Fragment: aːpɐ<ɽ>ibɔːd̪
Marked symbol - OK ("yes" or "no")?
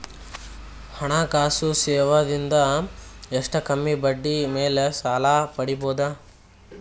yes